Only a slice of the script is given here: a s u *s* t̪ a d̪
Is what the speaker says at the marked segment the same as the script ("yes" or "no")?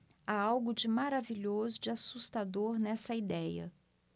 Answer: yes